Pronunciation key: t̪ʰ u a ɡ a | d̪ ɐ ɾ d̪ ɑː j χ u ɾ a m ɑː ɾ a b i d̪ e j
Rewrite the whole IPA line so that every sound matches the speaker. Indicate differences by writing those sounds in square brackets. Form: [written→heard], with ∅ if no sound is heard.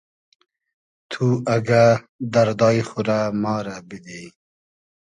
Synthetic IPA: t̪ʰ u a ɡ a | d̪ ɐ ɾ d̪ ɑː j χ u ɾ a m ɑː ɾ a b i d̪ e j